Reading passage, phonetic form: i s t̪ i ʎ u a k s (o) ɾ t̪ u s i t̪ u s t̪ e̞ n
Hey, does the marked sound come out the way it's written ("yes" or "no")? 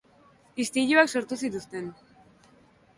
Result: yes